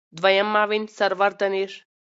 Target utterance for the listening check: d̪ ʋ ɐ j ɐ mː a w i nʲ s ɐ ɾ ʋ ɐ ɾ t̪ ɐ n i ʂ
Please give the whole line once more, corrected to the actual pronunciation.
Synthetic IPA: d̪ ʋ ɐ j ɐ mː a ʋ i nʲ s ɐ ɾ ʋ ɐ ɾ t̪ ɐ n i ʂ